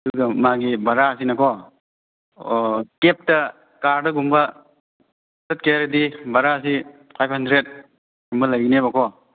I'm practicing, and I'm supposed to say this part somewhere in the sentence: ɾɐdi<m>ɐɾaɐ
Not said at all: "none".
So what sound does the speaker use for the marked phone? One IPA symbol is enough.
b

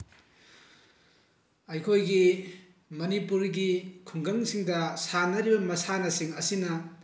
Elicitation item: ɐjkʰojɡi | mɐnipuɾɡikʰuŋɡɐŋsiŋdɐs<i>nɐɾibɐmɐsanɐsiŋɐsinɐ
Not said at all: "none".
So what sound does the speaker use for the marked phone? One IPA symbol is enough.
a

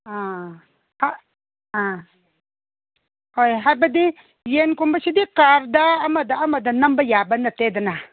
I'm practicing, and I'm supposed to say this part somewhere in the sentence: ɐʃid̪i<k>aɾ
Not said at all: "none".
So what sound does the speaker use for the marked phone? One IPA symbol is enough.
k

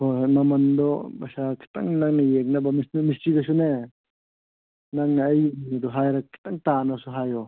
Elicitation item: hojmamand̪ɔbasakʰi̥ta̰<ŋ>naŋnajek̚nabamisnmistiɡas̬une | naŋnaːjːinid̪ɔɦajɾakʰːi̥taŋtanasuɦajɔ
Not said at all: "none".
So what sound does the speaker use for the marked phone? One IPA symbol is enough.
ŋ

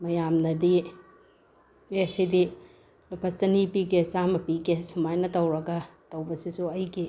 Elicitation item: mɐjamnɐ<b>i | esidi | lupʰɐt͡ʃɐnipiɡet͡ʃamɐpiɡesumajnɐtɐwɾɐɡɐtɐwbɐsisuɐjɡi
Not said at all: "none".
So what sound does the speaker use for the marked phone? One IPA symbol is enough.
d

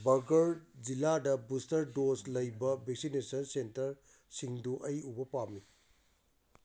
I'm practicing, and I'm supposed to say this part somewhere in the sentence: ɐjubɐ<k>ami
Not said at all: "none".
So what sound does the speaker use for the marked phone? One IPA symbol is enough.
p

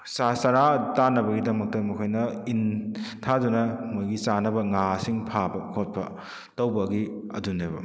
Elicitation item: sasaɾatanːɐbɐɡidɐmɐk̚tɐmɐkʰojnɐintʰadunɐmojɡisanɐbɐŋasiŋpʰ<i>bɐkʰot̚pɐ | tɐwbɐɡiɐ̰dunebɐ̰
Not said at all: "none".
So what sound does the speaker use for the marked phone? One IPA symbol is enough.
a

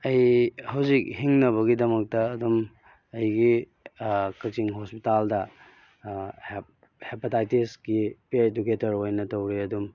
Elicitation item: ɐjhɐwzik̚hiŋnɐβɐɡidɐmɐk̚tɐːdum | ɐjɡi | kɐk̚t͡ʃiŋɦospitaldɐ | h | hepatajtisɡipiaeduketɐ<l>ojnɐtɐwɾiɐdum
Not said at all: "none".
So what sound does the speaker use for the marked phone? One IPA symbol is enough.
ɾ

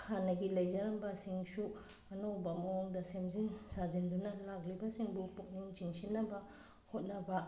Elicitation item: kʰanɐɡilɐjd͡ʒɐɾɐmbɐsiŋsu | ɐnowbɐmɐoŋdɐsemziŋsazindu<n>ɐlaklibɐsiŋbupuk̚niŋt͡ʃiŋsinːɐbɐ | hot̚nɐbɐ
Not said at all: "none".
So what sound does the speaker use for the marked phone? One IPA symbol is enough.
n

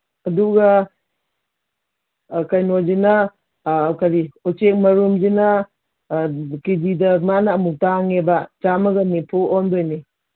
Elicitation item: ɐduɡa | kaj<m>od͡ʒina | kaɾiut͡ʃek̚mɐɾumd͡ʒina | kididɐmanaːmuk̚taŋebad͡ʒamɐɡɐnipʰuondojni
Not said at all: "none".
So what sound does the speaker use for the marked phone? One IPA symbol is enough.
n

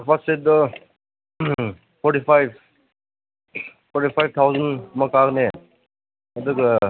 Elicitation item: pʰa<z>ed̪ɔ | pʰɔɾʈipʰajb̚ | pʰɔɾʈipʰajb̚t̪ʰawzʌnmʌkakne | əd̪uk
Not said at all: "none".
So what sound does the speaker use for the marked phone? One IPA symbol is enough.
s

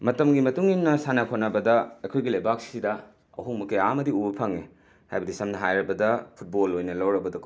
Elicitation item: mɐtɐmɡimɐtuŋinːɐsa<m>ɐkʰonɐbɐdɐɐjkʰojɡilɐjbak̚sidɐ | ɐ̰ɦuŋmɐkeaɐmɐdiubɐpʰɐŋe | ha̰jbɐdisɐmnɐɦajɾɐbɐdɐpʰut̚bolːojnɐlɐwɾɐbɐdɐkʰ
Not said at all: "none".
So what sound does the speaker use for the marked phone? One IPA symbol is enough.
n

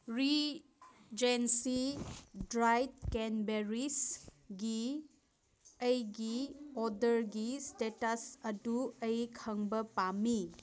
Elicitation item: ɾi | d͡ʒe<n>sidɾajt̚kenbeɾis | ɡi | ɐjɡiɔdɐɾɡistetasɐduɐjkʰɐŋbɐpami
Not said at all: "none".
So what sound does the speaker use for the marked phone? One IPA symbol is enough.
n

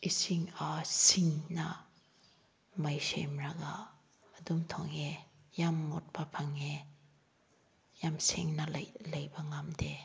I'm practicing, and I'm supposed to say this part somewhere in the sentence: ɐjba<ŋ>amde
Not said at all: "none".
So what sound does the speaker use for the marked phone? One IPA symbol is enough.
ŋ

